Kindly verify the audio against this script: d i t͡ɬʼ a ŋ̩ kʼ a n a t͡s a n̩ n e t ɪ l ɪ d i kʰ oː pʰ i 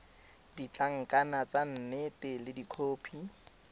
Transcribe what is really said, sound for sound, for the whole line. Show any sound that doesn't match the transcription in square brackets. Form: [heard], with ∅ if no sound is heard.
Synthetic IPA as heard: d i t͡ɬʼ a ŋ̩ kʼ a n a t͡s a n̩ n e t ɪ l ɪ d i kʰ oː pʰ i